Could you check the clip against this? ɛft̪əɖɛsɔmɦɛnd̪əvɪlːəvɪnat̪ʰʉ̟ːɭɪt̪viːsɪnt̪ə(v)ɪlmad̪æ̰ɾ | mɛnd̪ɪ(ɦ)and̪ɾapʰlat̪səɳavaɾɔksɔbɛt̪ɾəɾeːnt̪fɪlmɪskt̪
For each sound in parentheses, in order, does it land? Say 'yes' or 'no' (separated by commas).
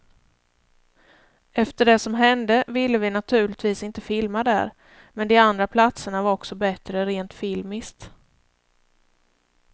no, no